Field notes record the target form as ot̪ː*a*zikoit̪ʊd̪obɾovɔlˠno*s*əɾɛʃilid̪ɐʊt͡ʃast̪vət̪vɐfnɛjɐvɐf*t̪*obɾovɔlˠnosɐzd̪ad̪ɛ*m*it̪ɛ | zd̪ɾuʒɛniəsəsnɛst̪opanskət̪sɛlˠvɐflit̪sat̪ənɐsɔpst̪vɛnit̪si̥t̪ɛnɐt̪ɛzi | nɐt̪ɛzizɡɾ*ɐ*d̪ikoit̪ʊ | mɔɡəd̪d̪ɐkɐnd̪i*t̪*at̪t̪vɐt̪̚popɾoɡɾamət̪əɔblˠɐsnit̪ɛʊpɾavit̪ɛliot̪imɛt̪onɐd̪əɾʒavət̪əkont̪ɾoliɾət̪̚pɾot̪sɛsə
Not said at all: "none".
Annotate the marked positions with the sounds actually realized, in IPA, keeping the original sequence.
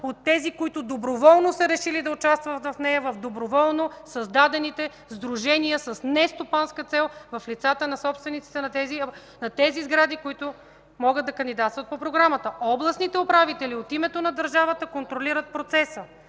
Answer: ɛ, s, d̪, n, a, d̪

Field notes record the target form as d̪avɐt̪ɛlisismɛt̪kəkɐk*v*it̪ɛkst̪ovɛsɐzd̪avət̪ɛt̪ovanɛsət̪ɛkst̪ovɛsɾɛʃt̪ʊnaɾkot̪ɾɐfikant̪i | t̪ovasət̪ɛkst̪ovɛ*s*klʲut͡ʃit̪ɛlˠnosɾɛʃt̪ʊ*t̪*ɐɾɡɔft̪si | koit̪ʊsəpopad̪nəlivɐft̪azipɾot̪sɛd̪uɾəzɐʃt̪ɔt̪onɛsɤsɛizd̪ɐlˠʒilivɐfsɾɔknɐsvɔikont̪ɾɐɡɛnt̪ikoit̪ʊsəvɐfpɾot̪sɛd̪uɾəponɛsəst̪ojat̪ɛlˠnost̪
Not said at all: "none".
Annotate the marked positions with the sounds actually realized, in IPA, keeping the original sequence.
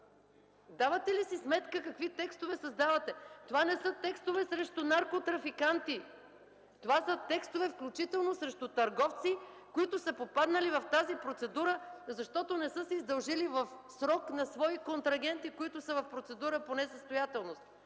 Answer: v, f, t̪

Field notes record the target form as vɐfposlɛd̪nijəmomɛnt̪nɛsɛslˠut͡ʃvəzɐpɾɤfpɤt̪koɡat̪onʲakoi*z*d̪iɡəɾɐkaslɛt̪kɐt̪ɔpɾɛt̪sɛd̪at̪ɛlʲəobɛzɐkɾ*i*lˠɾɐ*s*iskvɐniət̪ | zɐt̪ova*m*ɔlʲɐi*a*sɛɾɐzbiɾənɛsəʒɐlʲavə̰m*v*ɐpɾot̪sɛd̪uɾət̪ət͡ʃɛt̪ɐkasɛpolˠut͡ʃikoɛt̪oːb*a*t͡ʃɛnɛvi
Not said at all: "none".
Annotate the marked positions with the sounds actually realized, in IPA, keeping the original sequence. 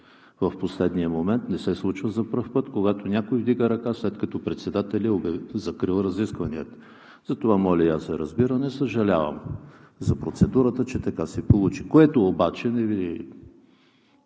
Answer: v, i, z, m, a, z, a

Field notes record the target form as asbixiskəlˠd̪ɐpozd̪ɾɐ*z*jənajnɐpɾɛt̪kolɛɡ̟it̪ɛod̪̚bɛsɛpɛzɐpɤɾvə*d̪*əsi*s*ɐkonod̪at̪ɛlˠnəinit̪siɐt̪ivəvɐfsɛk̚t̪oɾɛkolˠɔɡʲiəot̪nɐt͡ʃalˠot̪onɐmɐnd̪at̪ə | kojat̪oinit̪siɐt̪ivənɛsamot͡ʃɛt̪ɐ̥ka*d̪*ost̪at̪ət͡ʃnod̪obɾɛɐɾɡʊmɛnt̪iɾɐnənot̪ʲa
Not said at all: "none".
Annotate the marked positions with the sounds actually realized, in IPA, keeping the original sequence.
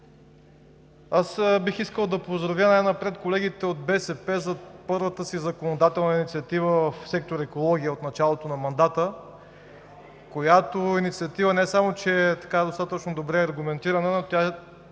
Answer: v, t̪, z, d̪

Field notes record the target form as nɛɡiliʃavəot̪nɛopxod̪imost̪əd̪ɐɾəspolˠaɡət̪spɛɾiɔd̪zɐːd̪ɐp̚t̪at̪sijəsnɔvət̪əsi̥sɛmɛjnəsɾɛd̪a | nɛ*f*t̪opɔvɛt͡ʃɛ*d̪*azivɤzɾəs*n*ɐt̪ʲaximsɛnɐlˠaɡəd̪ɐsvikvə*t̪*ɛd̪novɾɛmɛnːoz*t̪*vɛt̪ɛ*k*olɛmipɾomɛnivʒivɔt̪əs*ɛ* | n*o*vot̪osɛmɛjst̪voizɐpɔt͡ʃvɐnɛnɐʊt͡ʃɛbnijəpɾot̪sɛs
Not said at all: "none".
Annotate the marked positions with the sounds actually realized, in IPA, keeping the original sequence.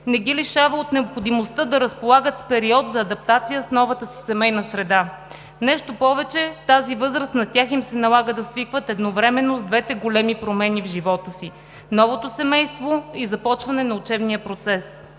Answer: ʃ, t̪, n, t̪, d̪, ɡ, i, ɔ

